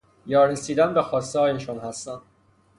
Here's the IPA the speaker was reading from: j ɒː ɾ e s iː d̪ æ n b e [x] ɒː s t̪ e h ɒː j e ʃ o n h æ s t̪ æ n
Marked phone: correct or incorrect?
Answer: correct